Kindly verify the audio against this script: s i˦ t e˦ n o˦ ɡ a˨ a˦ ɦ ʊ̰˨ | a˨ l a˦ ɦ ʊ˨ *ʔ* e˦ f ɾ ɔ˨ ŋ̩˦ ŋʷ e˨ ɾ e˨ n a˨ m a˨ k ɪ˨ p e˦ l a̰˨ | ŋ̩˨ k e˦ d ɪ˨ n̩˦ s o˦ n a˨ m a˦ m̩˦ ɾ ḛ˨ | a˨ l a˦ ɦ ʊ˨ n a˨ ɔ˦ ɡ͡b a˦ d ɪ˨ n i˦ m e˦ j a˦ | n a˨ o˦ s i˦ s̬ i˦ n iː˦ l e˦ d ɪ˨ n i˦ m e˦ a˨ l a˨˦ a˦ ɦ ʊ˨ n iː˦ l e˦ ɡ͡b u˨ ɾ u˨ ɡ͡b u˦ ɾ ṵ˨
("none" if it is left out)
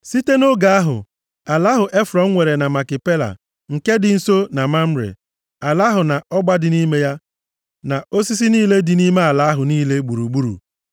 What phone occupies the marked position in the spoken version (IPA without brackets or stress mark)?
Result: ʔ